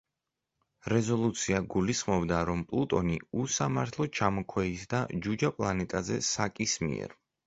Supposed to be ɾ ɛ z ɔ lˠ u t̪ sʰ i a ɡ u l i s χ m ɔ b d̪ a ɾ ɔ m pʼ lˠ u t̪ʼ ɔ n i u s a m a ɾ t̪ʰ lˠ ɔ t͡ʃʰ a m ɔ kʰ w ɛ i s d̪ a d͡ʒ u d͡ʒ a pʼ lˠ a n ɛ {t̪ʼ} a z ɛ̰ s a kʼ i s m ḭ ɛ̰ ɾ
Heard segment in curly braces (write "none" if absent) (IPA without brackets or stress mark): t̪ʼ